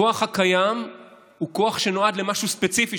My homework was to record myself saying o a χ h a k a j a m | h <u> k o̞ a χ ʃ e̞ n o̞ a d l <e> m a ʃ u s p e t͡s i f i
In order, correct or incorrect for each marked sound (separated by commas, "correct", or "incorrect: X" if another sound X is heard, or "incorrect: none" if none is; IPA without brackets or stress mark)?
correct, correct